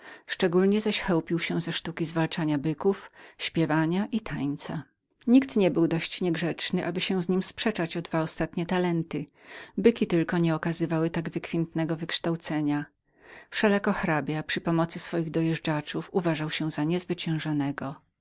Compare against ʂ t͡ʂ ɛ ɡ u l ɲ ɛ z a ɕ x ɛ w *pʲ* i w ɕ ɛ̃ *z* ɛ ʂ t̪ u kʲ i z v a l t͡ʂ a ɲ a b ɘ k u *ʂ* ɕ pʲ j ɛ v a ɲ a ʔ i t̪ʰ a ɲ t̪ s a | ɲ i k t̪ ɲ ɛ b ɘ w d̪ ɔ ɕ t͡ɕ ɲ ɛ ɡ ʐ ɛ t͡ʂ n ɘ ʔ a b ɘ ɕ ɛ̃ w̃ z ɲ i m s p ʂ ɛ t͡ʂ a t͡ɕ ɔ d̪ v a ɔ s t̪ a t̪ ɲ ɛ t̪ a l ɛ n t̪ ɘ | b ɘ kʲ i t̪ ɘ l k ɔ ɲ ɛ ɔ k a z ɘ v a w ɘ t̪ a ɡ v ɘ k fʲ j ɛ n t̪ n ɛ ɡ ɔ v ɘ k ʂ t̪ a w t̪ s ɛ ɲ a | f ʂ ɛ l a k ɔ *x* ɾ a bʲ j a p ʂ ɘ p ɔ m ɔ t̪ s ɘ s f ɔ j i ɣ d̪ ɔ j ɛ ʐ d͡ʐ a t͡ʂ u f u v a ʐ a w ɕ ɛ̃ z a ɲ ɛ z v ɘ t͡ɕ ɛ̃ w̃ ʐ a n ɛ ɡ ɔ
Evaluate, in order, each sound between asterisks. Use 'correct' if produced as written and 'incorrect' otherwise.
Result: correct, correct, incorrect, correct

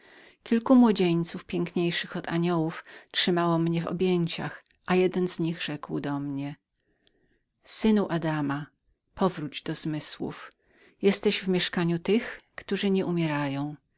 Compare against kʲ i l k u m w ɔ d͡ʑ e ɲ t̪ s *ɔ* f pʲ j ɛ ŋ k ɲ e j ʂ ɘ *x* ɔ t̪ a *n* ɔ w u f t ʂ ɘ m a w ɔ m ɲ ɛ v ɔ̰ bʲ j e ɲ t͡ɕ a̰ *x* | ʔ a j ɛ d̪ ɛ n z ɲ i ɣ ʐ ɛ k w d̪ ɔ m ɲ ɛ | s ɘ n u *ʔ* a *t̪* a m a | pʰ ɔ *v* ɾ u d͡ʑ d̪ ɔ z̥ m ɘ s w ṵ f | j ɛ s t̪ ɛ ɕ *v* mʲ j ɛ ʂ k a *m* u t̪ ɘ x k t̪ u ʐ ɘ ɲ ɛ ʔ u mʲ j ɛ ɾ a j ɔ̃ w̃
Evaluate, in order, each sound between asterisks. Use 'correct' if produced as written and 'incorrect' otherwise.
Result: incorrect, correct, incorrect, correct, correct, incorrect, correct, correct, incorrect

